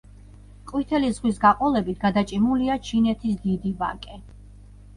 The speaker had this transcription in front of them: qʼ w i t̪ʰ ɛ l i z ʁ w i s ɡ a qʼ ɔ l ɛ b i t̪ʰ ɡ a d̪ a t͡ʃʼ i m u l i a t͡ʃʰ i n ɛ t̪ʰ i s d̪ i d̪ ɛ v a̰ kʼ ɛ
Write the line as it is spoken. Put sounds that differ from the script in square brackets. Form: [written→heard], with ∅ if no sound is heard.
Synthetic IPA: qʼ w i t̪ʰ ɛ l i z ʁ w i s ɡ a qʼ ɔ l ɛ b i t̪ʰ ɡ a d̪ a t͡ʃʼ i m u l i a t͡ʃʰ i n ɛ t̪ʰ i s d̪ i d̪ [ɛ→i] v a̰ kʼ ɛ

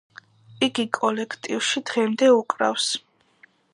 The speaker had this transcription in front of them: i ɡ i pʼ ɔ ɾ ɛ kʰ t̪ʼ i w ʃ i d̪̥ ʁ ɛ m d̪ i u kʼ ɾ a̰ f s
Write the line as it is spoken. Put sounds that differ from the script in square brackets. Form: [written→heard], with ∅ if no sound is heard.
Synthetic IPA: i ɡ i [pʼ→kʼ] ɔ [ɾ→l] ɛ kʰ t̪ʼ i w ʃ i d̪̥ ʁ ɛ m d̪ [i→ɛ] u kʼ ɾ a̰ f s

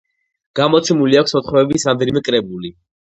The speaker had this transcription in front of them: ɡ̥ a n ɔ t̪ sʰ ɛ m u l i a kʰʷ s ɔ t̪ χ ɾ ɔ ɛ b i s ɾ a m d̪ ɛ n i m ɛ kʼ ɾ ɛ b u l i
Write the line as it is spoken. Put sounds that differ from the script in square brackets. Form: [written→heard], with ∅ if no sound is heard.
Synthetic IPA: ɡ̥ a [n→m] ɔ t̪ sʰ ɛ m u l i a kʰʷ s ɔ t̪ χ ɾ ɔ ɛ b i s ɾ a m d̪ ɛ n i m ɛ kʼ ɾ ɛ b u l i

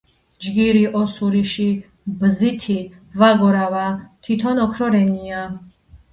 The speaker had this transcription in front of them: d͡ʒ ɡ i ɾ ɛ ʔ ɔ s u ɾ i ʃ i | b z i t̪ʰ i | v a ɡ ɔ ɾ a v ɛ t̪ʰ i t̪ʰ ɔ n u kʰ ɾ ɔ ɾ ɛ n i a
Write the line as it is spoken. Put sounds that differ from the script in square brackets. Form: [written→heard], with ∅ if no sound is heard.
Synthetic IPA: d͡ʒ ɡ i ɾ [ɛ→i] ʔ ɔ s u ɾ i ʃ i | b z i t̪ʰ i | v a ɡ ɔ ɾ a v [ɛ→a] t̪ʰ i t̪ʰ ɔ n [u→ɔ] kʰ ɾ ɔ ɾ ɛ n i a

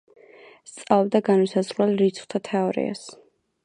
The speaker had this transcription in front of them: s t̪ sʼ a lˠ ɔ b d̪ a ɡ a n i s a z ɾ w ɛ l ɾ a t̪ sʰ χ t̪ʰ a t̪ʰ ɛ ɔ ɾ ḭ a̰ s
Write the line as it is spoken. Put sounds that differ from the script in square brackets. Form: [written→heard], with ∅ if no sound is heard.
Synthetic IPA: s t̪ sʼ a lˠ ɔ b d̪ a ɡ a n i s a z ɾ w ɛ l ɾ [a→i] t̪ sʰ χ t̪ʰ a t̪ʰ ɛ ɔ ɾ ḭ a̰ s

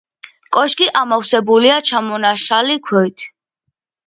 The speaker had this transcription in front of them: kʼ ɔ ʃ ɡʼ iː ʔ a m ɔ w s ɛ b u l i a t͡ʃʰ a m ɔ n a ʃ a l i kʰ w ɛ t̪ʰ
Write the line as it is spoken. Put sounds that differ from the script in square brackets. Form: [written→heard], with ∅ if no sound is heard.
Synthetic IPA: kʼ ɔ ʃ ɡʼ [iː→i] ʔ a m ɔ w s ɛ b u l i a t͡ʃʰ a m ɔ n a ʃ a l i kʰ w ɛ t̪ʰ

